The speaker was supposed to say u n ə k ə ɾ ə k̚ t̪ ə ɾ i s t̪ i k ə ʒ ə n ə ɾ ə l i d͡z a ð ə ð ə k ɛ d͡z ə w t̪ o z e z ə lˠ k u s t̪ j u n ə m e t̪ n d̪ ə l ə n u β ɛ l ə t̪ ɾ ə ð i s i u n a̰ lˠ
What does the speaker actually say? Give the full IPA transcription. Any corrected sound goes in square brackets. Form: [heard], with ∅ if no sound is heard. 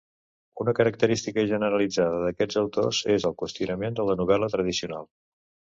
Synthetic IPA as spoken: u n ə k ə ɾ ə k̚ t̪ ə ɾ i s t̪ i k ə ʒ ə n ə ɾ ə l i d͡z a ð ə ð ə k ɛ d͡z ə w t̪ o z e z ə lˠ k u s t̪ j u n ə m e [∅] n d̪ ə l ə n u β ɛ l ə t̪ ɾ ə ð i s i u n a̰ lˠ